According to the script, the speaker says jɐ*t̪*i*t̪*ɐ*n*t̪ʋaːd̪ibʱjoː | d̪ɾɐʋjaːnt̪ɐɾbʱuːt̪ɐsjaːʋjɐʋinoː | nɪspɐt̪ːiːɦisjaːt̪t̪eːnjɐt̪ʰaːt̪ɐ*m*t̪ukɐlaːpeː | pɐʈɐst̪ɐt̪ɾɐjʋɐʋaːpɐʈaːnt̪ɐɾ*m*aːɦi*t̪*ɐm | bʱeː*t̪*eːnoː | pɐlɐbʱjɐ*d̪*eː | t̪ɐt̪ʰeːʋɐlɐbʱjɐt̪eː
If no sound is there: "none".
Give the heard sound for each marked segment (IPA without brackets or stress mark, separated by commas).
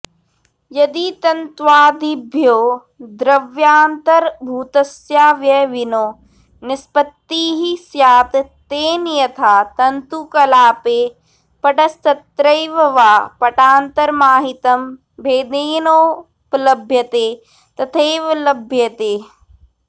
d̪, t̪, n, n, m, t̪, d̪, t̪